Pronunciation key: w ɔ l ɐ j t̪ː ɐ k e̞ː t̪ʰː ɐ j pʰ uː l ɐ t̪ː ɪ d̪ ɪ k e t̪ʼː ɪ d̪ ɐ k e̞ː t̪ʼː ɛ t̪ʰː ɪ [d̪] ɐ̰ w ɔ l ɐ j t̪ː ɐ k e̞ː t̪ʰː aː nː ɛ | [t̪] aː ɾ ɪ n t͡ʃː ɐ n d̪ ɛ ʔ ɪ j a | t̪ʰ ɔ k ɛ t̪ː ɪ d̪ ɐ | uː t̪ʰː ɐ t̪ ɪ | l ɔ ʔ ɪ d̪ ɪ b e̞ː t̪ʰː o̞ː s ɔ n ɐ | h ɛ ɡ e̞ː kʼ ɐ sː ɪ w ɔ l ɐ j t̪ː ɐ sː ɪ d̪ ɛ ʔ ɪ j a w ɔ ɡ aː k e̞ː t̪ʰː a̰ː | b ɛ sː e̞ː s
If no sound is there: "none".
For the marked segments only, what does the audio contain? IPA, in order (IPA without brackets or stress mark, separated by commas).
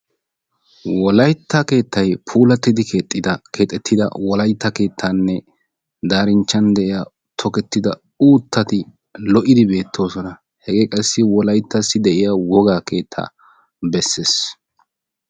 d̪, d̪